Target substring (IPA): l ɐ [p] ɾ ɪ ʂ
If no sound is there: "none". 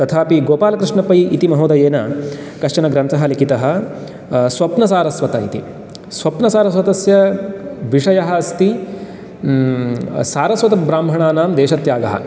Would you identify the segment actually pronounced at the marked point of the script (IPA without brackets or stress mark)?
k